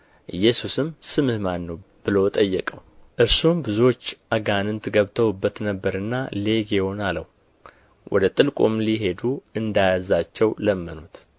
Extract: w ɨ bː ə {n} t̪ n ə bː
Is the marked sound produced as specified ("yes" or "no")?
no